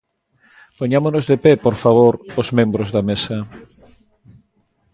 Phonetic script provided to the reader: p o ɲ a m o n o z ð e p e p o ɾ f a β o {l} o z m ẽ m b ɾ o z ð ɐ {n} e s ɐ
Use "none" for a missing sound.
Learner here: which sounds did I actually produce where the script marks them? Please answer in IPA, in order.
ɾ, m

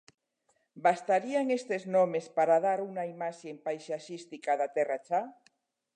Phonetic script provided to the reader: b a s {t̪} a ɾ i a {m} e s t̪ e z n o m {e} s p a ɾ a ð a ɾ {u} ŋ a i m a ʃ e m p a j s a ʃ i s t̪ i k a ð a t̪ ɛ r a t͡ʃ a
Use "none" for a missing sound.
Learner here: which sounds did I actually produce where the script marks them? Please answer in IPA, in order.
t̪, ŋ, e, u

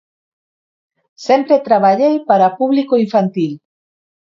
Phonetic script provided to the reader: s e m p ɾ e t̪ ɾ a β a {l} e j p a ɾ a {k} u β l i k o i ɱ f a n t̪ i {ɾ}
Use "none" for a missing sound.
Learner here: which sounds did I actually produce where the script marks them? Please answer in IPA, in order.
ʎ, p, l

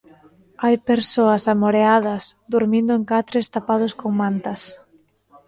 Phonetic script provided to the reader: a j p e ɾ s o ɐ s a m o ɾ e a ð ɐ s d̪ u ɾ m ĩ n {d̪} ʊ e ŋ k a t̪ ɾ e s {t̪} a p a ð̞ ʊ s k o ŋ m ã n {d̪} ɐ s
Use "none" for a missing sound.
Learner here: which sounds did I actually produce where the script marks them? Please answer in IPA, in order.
d̪, t̪, t̪

